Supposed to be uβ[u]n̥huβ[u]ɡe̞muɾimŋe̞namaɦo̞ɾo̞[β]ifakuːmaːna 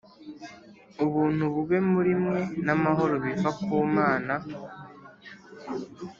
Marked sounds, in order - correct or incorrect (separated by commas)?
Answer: incorrect, correct, correct